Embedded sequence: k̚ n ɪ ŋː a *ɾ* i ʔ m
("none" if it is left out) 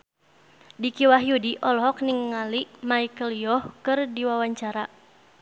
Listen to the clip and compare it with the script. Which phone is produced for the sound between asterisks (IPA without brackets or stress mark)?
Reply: l